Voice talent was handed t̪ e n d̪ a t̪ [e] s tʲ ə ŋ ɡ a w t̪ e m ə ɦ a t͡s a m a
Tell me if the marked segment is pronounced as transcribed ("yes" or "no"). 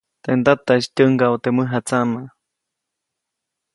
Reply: no